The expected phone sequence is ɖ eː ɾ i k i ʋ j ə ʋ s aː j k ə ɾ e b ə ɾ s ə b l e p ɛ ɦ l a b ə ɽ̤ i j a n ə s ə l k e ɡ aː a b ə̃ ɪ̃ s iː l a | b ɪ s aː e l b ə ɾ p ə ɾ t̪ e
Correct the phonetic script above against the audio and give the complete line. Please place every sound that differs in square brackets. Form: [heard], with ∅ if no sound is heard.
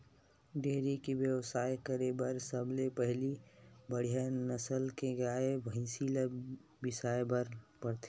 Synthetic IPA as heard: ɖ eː ɾ i k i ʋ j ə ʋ s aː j k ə ɾ e b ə ɾ s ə b l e p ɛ ɦ l [i] b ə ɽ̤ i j a n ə s ə l k e ɡ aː [e] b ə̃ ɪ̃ s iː l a | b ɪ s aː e [∅] b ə ɾ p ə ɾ t̪ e